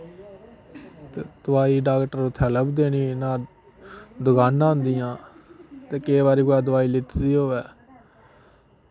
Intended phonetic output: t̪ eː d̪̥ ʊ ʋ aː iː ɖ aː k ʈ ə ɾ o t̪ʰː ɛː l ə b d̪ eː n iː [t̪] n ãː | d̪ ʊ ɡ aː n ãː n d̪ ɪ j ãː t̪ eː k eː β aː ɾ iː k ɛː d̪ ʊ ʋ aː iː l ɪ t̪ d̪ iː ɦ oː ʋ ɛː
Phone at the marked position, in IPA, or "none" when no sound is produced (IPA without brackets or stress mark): none